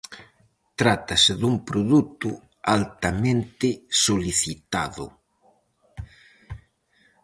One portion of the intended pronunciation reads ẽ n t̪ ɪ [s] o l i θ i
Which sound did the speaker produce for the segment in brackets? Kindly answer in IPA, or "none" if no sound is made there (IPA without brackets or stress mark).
s